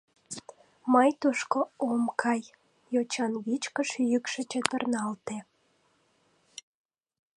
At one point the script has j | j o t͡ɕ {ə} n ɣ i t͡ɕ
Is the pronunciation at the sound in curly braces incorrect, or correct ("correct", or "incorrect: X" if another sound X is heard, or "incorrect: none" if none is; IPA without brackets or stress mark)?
incorrect: ɑ